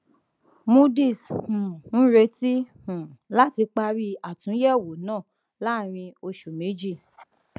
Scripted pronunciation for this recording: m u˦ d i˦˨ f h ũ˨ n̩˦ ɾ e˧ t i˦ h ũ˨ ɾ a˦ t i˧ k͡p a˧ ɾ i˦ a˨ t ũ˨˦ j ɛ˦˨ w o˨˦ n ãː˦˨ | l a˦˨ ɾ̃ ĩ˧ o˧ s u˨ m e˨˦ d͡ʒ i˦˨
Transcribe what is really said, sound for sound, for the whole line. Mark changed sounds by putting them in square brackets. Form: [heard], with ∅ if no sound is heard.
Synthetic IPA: m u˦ d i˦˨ [s] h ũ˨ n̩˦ ɾ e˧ t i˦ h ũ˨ [l] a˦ t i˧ k͡p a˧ ɾ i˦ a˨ t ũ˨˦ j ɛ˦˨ w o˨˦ n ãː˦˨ | l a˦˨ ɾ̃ ĩ˧ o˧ [ʃ] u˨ m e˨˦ d͡ʒ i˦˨